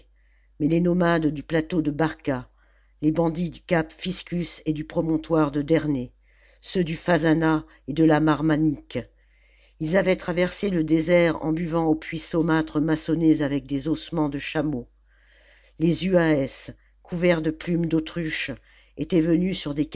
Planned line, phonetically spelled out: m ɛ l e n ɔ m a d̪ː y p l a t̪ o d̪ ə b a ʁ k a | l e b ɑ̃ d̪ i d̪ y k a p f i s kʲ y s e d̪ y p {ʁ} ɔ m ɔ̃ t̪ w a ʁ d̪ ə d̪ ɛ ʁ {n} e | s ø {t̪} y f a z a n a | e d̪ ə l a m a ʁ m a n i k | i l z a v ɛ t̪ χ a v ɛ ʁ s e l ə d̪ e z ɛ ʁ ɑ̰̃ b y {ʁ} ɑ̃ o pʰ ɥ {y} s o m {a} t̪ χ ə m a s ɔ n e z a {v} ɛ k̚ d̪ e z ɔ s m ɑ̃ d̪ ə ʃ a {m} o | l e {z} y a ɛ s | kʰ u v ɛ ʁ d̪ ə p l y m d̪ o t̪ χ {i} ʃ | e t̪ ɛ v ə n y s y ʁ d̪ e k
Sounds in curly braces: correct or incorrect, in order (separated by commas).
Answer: incorrect, correct, incorrect, incorrect, incorrect, correct, correct, correct, correct, incorrect